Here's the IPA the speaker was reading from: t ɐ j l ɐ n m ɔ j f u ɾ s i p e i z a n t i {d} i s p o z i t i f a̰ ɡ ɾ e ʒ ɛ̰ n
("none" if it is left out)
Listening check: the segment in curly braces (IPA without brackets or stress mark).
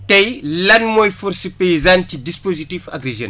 d